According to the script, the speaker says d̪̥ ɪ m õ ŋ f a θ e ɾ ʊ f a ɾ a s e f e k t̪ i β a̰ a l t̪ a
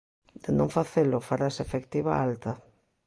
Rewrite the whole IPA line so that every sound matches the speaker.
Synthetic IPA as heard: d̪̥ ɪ n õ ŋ f a θ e l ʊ f a ɾ a s e f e k t̪ i β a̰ a l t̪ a